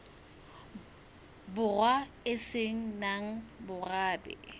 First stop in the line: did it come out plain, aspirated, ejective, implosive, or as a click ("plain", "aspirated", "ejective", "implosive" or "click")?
plain